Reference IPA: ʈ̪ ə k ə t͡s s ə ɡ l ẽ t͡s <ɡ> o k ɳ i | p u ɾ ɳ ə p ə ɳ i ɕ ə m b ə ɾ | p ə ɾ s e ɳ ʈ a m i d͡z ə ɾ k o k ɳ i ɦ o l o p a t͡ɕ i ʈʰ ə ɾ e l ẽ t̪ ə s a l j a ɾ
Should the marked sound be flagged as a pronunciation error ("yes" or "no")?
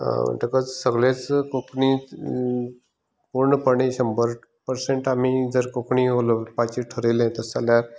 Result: yes